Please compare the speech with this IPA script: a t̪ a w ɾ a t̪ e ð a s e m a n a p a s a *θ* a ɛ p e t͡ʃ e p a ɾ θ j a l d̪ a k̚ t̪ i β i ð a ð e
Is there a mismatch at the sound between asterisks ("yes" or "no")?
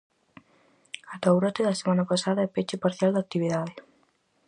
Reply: yes